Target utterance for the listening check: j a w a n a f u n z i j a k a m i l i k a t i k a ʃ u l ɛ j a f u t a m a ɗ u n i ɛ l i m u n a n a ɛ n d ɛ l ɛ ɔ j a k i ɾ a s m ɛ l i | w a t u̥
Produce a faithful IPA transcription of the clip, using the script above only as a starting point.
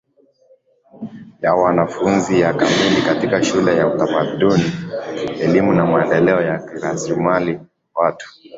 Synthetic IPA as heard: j a w a n a f u n z i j a k a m i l i k a t i k a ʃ u l ɛ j a u t a m a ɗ u n i ɛ l i m u n a m a ɛ n d ɛ l ɛ ɔ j a k i ɾ a s m a l i | w a t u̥